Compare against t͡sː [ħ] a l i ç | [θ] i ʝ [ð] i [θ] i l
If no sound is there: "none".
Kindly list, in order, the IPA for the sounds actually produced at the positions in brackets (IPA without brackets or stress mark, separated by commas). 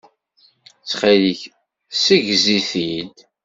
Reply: χ, s, z, θ